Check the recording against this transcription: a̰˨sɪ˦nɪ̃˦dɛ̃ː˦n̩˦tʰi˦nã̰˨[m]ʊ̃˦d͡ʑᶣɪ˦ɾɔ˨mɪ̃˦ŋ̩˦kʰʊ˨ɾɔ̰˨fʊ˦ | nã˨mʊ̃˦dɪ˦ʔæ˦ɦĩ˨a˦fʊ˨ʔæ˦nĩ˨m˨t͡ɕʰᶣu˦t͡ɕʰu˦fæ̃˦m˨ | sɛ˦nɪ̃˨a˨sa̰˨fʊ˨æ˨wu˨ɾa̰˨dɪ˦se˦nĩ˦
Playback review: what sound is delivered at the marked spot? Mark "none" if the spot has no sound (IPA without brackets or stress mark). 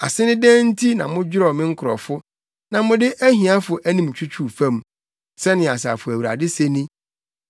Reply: m